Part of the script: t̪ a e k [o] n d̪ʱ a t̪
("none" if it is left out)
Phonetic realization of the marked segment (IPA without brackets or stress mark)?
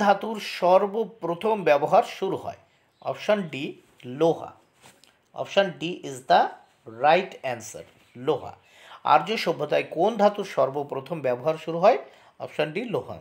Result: o